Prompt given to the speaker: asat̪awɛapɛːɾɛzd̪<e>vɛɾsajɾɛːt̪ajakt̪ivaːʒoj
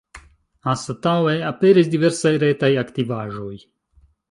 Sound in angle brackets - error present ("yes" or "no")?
yes